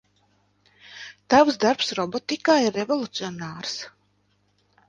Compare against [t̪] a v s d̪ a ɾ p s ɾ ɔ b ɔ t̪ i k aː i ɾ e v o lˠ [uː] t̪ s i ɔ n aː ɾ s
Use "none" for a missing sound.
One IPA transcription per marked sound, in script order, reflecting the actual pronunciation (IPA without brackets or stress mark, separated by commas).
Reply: t̪, u